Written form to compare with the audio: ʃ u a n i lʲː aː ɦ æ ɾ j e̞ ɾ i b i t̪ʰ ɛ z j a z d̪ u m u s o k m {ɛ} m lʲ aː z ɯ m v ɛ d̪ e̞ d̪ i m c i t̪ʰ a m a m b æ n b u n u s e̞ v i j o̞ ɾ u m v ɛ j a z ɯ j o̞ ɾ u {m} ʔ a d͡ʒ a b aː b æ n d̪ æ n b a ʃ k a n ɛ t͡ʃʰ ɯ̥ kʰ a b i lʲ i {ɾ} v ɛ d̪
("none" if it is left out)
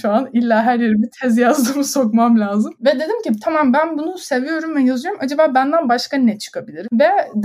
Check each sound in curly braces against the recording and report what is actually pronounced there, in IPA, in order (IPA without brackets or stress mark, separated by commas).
a, m, ɾ